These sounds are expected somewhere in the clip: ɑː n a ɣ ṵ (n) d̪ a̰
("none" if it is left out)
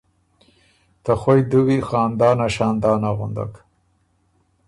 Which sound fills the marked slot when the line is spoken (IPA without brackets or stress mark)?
n